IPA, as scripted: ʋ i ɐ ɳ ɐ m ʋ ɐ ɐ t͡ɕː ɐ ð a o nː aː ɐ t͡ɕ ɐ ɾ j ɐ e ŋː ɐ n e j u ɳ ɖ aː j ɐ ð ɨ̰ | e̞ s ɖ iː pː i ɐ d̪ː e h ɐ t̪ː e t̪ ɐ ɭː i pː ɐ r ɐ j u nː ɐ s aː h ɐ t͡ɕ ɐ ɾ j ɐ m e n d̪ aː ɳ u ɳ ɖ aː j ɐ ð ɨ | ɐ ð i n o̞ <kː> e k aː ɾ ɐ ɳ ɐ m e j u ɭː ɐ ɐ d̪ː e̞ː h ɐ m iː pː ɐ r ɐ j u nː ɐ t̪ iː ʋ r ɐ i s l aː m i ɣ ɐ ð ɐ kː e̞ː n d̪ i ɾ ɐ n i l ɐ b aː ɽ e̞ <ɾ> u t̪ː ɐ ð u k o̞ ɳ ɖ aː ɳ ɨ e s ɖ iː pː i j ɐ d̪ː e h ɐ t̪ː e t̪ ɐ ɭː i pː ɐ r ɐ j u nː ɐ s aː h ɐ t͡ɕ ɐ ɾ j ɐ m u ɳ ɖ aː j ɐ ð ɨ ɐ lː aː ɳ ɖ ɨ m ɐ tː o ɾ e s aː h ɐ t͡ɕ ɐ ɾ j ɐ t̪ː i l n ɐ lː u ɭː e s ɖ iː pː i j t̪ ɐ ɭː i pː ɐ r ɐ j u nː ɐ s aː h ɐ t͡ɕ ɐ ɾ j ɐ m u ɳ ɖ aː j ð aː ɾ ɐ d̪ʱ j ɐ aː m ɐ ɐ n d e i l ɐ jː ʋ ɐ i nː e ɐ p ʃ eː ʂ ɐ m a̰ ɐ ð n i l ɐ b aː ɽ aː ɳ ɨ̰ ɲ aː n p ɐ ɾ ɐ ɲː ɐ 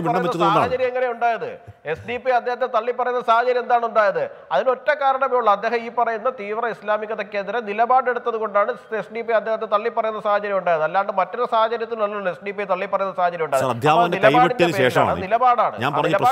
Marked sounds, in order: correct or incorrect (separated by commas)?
incorrect, incorrect